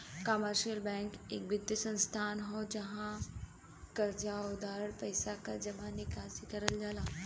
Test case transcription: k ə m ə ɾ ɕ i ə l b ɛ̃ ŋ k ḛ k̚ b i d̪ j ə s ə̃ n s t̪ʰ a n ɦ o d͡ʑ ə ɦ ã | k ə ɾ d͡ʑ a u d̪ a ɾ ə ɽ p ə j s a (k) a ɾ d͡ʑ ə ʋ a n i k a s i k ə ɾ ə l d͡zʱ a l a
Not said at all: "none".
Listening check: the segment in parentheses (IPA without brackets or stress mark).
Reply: k